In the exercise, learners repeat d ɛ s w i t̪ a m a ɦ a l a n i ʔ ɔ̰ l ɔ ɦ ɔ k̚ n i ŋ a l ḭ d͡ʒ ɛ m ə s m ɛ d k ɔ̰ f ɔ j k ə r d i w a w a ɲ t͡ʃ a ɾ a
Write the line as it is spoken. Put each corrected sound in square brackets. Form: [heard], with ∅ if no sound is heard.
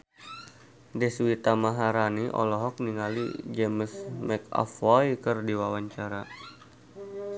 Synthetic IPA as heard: d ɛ s w i t̪ a m a ɦ a [ɾ] a n i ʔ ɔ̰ l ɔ ɦ ɔ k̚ n i ŋ a l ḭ d͡ʒ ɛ m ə s m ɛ [∅] k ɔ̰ f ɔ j k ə r d i w a w a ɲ t͡ʃ a ɾ a

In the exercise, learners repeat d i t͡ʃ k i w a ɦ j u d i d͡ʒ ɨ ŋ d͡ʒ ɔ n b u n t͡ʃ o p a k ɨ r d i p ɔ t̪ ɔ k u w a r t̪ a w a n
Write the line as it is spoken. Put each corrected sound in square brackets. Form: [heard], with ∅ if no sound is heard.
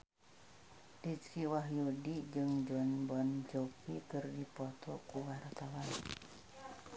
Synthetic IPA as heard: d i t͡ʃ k i w a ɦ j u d i d͡ʒ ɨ ŋ d͡ʒ ɔ n b [ɔ] n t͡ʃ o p [i] k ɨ r d i p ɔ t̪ ɔ k u w a r t̪ a w a n

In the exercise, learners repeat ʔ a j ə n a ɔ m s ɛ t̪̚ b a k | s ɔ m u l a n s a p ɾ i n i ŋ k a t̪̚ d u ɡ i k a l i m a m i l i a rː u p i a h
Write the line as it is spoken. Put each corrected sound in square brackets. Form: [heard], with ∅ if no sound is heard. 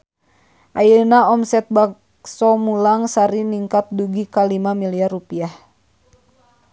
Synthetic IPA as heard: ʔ a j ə n a ɔ m s ɛ t̪̚ b a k | s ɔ m u l a [ŋ] s a [∅] ɾ i n i ŋ k a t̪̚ d u ɡ i k a l i m a m i l i a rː u p i a h

